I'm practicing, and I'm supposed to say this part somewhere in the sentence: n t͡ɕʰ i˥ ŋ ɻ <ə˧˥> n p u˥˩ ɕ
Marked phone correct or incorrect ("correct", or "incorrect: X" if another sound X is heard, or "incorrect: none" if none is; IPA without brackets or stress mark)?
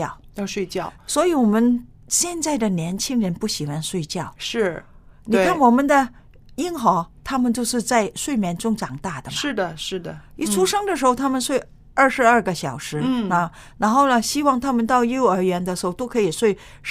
correct